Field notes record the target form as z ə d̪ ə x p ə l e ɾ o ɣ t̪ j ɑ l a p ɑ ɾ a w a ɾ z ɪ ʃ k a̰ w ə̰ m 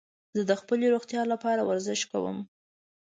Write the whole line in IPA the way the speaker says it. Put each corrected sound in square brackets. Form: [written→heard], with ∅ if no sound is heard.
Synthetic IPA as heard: z ə d̪ ə x p ə l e ɾ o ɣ t̪ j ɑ l a p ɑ ɾ a w a ɾ z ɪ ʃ k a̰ w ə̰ m